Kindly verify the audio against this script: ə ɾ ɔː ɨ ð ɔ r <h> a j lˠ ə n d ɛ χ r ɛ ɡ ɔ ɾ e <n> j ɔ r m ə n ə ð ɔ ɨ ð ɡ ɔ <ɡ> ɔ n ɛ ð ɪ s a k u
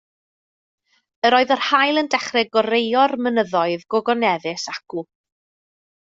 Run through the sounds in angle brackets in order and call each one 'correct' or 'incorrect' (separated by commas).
correct, incorrect, correct